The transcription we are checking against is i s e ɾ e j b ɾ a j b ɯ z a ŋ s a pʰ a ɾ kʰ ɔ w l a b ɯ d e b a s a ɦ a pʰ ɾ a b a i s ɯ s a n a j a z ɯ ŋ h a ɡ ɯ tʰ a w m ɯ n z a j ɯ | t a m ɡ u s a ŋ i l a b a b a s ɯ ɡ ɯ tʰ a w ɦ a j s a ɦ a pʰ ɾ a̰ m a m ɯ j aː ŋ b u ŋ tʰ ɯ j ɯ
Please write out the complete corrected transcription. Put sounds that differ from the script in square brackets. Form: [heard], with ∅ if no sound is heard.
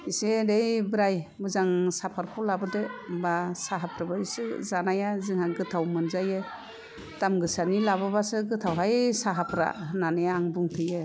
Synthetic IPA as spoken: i s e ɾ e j b ɾ a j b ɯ z a ŋ s a pʰ a ɾ kʰ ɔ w l a b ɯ d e b a s a ɦ a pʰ ɾ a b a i s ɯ [z] a n a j a z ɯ ŋ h a ɡ ɯ tʰ a w m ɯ n z a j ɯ | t a m ɡ [ɯ] s a [n] i l a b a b a s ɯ ɡ ɯ tʰ a w ɦ a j s a ɦ a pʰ ɾ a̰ [n] a [n] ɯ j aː ŋ b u ŋ tʰ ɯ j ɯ